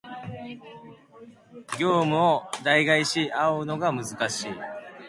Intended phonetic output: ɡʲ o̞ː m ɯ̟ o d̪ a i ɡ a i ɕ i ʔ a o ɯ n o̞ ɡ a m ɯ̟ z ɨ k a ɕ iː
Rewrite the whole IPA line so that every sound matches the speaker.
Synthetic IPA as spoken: ɡʲ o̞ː m ɯ̟ o d̪ a i ɡ a i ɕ i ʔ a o ɯ n o̞ ɡ a m ɯ̟ z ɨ k a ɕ iː